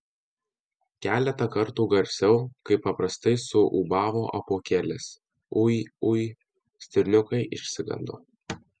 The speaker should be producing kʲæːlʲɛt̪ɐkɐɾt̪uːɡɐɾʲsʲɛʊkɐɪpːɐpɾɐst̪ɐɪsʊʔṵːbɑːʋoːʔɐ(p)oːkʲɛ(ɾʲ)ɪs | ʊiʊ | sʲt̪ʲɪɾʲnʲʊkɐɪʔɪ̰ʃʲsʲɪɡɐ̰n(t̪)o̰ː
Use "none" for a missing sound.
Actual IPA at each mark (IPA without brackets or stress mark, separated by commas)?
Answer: p, lʲ, d̪